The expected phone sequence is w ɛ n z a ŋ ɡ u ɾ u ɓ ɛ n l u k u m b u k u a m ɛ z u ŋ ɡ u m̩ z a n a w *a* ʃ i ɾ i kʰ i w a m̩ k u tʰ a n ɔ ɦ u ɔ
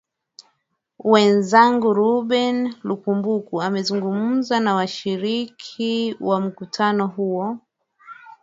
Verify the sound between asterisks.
correct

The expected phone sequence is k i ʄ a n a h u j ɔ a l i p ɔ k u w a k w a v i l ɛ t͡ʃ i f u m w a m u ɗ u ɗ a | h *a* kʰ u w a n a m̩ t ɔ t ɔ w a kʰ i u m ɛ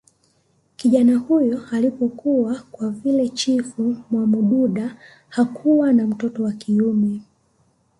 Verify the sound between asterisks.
correct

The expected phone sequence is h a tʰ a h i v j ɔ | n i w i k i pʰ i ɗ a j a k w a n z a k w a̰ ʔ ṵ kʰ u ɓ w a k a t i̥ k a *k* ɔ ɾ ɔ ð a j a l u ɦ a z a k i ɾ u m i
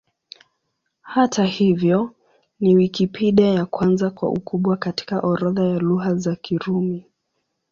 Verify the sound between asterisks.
incorrect: ʔ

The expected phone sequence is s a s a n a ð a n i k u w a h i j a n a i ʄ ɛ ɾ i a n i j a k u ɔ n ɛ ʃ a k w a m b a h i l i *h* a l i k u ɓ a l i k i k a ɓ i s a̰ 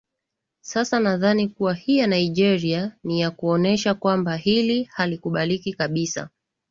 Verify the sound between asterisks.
correct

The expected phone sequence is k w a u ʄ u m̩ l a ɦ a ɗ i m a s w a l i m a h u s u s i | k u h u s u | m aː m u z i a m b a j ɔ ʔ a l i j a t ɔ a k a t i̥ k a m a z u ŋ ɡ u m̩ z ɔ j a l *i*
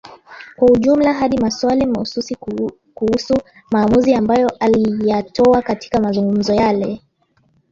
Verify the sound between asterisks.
incorrect: ɛ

